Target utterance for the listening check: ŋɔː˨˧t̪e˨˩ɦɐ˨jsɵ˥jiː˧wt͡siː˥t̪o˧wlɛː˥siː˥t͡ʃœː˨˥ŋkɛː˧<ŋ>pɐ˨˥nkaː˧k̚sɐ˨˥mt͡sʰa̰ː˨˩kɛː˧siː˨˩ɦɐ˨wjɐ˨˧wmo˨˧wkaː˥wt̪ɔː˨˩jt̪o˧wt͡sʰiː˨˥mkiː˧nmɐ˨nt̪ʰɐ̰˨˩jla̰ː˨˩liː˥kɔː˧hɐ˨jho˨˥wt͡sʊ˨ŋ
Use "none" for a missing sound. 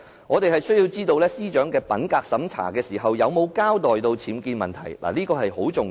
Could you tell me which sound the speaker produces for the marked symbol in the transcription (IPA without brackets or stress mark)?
none